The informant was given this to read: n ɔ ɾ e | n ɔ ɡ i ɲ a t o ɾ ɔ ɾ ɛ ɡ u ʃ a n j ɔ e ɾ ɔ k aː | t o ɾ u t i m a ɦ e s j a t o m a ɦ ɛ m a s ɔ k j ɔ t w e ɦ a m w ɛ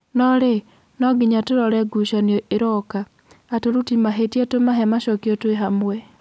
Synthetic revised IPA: n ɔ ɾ e | n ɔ ɡ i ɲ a t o ɾ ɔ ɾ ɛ ɡ u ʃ a n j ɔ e ɾ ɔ k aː | t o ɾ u t i m a ɦ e t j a t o m a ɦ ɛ m a ʃ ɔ k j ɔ t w e ɦ a m w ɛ